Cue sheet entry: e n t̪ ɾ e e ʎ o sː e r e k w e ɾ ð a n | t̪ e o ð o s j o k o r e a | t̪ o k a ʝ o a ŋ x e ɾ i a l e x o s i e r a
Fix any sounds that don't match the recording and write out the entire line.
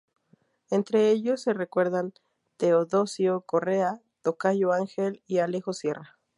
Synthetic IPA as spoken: e n t̪ ɾ e e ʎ o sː e r e k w e ɾ ð a n | t̪ e o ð o s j o k o r e a | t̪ o k a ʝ o a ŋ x e l i a l e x o s j e r a